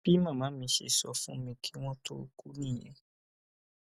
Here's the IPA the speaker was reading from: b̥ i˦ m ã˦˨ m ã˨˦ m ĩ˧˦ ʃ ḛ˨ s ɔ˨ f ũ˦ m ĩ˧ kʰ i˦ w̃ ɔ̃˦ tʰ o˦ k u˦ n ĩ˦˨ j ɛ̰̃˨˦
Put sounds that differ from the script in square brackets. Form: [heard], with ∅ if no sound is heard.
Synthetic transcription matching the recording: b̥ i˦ m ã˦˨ m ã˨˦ m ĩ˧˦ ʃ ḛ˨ s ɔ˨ f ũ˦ m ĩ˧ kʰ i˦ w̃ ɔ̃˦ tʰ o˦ k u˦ n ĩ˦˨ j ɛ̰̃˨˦